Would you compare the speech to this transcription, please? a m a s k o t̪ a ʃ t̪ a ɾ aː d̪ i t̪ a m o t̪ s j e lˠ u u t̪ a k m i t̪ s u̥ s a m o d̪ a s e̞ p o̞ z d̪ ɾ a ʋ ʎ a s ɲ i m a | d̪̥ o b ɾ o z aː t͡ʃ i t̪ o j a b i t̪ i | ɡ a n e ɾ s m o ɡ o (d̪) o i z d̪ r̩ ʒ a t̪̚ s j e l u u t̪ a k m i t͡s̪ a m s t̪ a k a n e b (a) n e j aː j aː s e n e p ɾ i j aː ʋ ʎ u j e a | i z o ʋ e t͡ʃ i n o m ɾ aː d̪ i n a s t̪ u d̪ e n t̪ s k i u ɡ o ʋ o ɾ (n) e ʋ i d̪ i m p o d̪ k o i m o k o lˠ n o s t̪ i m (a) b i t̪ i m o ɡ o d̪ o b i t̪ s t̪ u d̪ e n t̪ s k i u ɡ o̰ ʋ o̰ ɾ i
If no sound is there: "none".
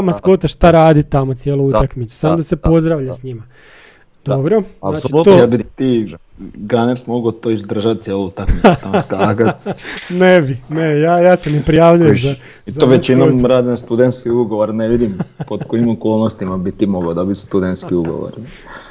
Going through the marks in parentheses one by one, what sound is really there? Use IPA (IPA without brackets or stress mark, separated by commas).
t̪, i, n, a